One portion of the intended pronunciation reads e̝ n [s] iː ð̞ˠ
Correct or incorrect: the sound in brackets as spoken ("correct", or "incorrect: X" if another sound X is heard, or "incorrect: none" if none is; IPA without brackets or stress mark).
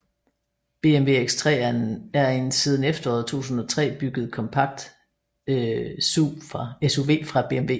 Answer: correct